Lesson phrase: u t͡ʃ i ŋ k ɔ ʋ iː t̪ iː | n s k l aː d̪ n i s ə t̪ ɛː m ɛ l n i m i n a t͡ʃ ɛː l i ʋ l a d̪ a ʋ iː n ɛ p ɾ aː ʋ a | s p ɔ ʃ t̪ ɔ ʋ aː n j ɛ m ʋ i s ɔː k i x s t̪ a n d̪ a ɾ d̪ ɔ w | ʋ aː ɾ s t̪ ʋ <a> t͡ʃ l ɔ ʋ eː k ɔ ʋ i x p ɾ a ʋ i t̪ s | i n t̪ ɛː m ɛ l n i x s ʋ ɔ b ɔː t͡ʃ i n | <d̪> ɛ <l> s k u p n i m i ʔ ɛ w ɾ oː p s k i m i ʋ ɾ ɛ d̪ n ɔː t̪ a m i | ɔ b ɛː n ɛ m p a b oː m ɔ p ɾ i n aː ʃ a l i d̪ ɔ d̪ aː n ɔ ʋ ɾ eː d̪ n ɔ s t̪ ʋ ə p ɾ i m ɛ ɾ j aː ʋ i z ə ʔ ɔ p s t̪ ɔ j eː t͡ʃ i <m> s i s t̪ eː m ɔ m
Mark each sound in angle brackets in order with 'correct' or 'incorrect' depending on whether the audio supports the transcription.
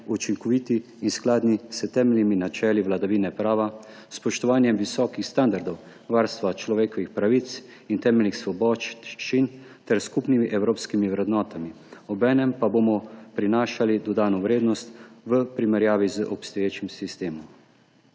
correct, incorrect: t̪, incorrect: ɾ, correct

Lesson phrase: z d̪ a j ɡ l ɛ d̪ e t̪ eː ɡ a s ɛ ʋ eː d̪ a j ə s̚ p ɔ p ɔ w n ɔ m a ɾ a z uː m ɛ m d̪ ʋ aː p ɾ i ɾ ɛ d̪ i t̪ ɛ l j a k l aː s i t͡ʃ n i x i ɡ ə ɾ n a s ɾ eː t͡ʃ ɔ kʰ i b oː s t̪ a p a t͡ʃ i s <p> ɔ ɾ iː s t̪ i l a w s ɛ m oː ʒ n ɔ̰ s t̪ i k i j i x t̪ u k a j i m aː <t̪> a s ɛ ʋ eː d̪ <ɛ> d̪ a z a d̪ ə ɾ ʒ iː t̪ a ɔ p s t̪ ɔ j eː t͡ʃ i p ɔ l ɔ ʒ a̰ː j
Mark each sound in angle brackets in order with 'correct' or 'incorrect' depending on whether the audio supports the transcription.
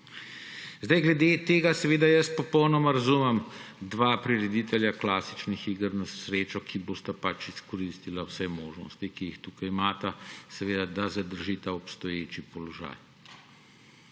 incorrect: k, correct, incorrect: a

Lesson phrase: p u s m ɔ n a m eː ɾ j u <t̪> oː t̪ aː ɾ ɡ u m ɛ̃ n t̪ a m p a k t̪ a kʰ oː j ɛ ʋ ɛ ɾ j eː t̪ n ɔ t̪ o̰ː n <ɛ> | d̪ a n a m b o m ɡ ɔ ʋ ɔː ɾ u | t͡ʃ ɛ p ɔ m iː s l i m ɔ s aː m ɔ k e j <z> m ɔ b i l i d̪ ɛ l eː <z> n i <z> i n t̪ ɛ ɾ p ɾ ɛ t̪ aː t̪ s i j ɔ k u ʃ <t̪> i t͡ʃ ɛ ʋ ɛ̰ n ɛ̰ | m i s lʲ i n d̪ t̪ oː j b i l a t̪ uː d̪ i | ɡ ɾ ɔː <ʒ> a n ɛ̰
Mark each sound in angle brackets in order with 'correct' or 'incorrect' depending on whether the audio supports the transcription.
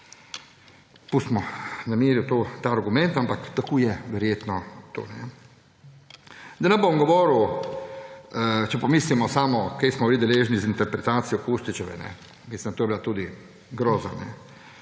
correct, correct, incorrect: s, incorrect: ʒ, correct, correct, incorrect: z

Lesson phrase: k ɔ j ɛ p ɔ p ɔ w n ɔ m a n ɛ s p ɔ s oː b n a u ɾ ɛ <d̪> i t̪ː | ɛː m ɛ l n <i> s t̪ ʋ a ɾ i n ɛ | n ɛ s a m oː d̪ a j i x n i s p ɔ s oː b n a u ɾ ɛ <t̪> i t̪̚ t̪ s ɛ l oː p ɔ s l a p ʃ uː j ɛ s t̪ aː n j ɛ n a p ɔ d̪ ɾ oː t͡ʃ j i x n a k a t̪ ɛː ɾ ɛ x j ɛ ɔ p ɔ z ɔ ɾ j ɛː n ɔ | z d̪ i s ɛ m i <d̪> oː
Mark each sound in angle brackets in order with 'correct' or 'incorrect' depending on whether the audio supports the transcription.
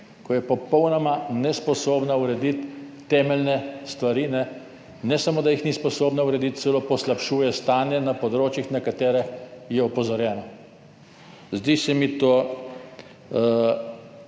correct, incorrect: ɛ, incorrect: d̪, incorrect: t̪

